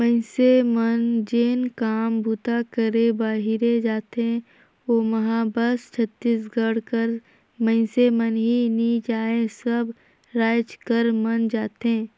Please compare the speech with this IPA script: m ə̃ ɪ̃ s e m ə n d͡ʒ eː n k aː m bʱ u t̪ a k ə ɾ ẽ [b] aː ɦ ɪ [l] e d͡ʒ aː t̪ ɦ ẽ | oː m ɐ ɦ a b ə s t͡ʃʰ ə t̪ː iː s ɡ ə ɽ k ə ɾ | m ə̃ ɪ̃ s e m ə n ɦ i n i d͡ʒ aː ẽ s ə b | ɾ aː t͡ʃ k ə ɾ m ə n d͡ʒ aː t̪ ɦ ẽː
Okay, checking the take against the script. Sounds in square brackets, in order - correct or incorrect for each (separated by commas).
correct, incorrect